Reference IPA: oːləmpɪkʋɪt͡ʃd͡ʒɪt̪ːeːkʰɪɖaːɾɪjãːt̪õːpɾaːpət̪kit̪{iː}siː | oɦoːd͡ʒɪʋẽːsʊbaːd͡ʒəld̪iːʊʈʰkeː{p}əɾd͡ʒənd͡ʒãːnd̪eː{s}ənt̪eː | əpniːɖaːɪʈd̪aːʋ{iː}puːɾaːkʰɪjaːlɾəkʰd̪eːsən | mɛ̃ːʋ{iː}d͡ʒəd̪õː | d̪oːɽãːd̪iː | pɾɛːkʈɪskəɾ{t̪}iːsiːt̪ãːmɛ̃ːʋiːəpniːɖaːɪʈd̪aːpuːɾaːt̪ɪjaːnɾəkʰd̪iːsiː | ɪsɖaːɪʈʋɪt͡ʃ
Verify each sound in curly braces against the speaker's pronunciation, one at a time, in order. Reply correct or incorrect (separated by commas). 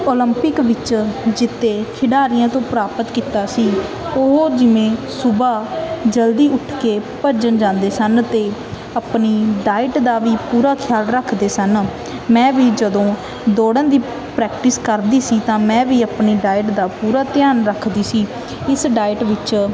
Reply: incorrect, correct, correct, correct, correct, incorrect